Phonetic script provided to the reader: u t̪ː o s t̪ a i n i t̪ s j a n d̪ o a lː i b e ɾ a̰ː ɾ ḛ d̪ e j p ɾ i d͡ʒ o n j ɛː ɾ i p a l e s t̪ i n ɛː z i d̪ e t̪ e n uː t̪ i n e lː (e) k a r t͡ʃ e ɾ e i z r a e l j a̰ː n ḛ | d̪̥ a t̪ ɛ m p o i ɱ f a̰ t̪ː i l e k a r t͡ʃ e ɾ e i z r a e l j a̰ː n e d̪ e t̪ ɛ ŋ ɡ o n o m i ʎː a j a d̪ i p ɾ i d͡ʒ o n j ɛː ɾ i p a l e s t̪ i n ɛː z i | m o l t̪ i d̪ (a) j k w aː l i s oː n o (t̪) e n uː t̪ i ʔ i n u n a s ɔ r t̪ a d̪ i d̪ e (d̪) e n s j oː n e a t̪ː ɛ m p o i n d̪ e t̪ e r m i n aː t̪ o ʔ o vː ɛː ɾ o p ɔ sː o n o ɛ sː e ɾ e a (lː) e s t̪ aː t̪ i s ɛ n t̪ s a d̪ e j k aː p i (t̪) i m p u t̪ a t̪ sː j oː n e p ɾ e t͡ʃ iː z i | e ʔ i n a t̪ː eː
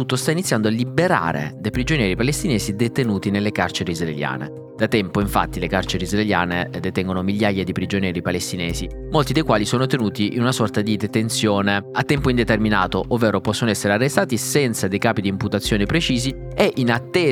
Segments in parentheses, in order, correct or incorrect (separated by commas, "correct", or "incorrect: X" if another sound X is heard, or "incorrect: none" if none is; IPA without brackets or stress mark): correct, incorrect: e, correct, incorrect: t̪, incorrect: rː, incorrect: d̪